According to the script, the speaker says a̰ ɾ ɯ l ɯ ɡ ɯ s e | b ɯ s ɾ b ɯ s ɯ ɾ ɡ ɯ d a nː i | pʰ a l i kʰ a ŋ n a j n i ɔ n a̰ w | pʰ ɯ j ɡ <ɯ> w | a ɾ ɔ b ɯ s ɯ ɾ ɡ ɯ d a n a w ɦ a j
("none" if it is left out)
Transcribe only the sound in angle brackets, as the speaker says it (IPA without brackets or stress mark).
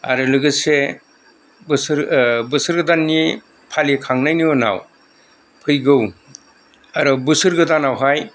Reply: ɯ